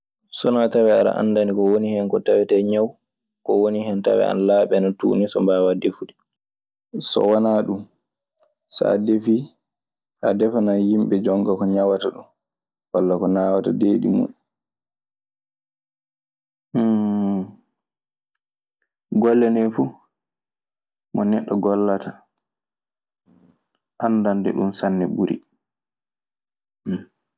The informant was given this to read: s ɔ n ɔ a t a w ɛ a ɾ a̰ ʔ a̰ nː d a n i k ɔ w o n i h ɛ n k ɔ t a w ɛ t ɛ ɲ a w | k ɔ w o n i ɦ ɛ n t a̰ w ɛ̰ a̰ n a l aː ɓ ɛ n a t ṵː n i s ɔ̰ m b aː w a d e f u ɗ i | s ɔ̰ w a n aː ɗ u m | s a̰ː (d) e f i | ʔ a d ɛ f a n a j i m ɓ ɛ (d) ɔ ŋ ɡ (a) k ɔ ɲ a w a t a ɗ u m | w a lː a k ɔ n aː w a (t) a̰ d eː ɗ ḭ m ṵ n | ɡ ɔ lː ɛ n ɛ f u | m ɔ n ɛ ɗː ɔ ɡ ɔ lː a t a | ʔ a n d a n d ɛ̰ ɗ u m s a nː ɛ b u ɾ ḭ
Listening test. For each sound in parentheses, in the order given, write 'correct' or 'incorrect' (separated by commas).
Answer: correct, incorrect, correct, correct